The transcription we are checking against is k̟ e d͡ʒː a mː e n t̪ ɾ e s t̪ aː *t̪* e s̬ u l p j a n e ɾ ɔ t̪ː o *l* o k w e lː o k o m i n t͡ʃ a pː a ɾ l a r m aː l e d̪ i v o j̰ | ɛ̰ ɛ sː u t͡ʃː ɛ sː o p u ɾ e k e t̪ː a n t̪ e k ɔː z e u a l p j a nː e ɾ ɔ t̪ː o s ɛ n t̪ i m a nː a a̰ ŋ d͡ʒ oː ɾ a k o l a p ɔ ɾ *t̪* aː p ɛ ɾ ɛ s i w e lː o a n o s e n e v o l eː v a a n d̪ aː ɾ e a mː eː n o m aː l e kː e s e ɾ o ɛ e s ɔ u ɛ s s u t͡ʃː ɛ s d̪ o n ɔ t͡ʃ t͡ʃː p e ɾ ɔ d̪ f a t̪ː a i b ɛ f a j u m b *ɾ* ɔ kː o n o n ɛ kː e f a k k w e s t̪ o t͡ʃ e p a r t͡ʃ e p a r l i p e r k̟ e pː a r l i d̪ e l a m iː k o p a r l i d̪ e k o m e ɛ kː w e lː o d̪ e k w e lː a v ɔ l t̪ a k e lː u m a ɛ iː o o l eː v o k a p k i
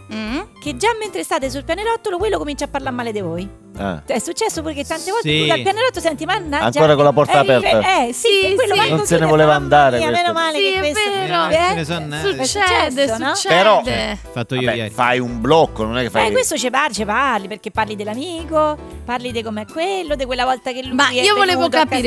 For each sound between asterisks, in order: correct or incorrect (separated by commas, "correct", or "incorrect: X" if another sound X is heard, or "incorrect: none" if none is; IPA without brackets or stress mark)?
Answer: correct, correct, correct, incorrect: l